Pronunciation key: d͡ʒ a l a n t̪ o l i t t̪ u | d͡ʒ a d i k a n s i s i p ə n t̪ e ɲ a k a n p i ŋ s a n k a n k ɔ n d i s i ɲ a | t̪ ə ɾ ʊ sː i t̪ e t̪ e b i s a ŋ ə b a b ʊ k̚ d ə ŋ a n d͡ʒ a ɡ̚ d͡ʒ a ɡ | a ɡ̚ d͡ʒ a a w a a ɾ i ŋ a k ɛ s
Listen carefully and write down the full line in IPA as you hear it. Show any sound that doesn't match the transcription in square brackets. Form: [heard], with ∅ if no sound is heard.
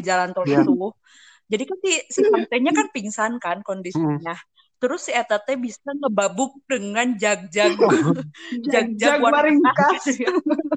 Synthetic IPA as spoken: d͡ʒ a l a n t̪ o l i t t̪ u | d͡ʒ a d i k a n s i s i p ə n t̪ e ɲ a k a n p i ŋ s a n k a n k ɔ n d i s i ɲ a | t̪ ə ɾ ʊ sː i t̪ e t̪ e b i s a ŋ ə b a b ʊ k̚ d ə ŋ a n d͡ʒ a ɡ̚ d͡ʒ a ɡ | a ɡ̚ d͡ʒ a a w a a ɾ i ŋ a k [a] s